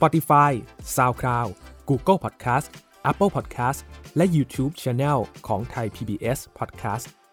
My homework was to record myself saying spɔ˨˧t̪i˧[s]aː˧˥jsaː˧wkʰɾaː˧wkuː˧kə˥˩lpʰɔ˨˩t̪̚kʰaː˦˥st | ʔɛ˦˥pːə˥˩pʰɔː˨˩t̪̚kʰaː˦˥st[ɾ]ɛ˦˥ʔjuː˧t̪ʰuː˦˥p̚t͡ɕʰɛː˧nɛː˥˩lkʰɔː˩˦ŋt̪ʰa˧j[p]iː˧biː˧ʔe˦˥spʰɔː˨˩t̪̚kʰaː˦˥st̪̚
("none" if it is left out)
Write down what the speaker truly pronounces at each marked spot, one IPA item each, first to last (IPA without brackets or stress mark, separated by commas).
f, l, pʰ